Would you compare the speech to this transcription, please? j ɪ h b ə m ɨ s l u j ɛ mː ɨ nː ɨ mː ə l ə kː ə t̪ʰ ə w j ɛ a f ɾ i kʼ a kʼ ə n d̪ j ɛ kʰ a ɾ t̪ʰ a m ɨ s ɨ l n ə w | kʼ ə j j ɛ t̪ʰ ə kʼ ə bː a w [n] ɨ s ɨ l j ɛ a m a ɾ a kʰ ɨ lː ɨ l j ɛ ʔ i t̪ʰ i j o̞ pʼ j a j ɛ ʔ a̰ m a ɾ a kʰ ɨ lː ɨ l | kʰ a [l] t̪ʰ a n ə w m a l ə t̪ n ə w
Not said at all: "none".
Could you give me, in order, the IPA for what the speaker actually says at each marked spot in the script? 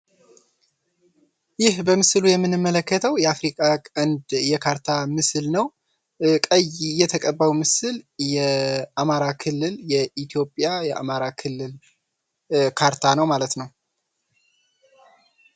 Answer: m, ɾ

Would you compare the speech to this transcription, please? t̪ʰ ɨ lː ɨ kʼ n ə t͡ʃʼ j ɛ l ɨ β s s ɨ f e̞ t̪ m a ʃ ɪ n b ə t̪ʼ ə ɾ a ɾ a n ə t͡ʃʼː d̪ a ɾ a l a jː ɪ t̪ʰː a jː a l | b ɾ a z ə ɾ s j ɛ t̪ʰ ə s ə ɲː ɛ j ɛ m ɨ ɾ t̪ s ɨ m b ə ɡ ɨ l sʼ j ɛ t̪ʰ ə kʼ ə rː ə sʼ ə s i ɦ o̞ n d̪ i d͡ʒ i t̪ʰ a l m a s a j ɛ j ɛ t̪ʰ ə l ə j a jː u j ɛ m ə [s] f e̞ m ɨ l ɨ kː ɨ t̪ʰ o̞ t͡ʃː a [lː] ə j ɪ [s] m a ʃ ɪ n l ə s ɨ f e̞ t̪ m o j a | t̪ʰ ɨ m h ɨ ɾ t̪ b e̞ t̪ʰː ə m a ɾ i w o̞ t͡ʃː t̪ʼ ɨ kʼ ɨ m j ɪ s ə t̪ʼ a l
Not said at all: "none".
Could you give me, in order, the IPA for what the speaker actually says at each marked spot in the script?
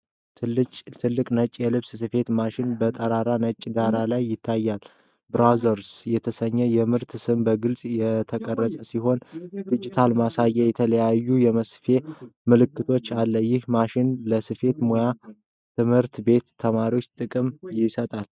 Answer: s, lː, h

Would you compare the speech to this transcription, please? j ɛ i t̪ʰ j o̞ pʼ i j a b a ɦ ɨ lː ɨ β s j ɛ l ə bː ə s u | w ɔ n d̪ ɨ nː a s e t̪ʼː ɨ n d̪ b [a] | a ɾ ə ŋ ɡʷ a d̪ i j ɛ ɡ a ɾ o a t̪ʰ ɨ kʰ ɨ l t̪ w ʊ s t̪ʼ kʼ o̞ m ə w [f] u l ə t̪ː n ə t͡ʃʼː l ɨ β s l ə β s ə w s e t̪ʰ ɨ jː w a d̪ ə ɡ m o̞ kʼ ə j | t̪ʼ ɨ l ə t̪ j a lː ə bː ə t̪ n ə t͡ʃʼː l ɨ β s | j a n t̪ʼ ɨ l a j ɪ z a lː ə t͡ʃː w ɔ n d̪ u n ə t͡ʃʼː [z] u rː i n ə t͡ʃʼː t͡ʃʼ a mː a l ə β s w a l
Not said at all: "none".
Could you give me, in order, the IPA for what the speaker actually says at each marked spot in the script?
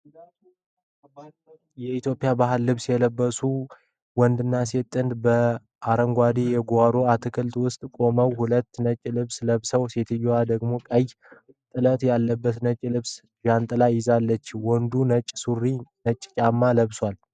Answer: ə, h, s

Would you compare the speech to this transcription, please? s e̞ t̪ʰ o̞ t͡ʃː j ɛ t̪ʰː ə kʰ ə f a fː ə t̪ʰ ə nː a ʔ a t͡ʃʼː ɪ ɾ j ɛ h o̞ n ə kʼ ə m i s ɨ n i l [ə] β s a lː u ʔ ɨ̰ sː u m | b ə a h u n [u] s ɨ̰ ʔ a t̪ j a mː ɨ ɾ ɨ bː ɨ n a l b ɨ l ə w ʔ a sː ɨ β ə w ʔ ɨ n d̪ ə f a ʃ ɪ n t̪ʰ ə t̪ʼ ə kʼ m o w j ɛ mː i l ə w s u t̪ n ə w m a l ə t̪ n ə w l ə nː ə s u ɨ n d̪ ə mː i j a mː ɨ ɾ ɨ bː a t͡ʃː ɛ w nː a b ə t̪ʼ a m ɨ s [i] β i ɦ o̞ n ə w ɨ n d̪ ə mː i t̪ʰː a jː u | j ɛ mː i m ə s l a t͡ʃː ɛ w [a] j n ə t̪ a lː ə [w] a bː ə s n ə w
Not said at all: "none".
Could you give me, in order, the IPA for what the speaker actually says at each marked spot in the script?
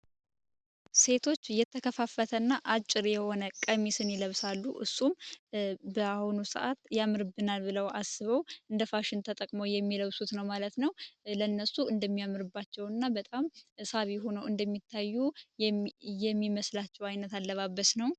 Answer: ə, u, a, a, β

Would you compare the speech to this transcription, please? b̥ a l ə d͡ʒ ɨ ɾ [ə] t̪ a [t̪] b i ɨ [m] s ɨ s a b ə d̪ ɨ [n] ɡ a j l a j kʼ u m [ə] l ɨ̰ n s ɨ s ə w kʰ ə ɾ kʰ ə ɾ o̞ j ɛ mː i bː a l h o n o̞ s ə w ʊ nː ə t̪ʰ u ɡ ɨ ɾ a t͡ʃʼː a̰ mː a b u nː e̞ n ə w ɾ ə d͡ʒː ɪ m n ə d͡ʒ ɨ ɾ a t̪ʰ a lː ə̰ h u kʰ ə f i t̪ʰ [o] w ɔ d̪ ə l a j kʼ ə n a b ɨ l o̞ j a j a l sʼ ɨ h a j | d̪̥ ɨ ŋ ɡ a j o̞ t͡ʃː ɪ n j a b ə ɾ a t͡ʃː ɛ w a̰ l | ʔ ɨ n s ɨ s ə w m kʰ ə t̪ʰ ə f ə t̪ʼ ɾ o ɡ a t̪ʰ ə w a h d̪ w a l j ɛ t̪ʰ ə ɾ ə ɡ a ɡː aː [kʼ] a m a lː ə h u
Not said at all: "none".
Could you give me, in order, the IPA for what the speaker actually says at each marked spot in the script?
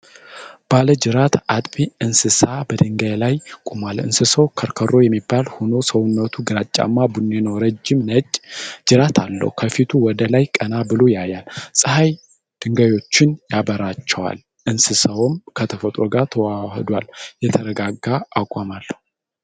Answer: a, t̪ʼ, n, ŋ, a, u, kʼ

